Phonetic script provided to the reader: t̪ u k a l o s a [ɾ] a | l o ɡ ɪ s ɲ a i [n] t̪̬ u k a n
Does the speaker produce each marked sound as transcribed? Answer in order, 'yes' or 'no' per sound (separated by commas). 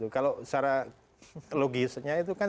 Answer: yes, no